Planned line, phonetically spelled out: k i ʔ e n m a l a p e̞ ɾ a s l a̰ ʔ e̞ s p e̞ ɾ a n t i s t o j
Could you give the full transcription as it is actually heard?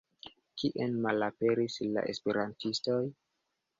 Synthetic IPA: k i ʔ e n m a l a p e̞ ɾ i s l a̰ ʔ e̞ s p e̞ ɾ a n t i s t o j